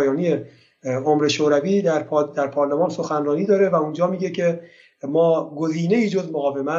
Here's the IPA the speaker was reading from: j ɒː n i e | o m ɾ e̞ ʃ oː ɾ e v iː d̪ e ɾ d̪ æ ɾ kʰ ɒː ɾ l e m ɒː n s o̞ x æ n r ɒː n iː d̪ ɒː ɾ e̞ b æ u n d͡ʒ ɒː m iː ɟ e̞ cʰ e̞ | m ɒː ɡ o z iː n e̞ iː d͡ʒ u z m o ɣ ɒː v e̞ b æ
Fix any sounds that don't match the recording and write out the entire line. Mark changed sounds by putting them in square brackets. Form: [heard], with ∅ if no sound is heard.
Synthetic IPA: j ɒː n i e | o m ɾ e̞ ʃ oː ɾ [æ] v iː d̪ [æ] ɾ d̪ æ ɾ [pʰ] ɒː ɾ l e m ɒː n s o̞ x æ n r ɒː n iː d̪ ɒː ɾ e̞ [v] æ u n d͡ʒ ɒː m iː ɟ e̞ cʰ e̞ | m ɒː ɡ o z iː n e̞ iː d͡ʒ [o] z m o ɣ ɒː v e̞ [m] æ